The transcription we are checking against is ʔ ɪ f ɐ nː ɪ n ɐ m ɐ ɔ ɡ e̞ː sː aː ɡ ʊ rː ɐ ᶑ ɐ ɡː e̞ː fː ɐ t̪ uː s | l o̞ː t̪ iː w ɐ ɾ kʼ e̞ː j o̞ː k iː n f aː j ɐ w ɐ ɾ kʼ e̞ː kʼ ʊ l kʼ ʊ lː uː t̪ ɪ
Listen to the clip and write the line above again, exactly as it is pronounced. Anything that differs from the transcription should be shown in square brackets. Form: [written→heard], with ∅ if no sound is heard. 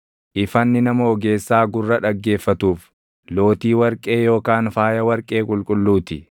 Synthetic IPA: ʔ ɪ f ɐ nː ɪ n ɐ m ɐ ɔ ɡ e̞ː sː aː ɡ ʊ rː ɐ ᶑ ɐ ɡː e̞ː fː ɐ t̪ uː [s→f] | l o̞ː t̪ iː w ɐ ɾ kʼ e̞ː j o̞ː k [iː→aː] n f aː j ɐ w ɐ ɾ kʼ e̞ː kʼ ʊ l kʼ ʊ lː uː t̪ ɪ